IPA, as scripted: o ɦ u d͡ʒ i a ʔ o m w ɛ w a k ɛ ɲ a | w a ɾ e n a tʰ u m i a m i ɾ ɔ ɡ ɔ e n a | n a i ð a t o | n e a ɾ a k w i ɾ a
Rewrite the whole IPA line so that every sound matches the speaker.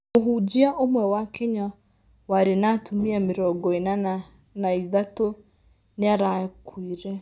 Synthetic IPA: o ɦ u d͡ʒ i a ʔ o m w ɛ w a k ɛ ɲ a | w a ɾ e n a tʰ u m i a m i ɾ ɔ ɡ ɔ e n a | n a i ð a t o | n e a ɾ a k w i ɾ ɛ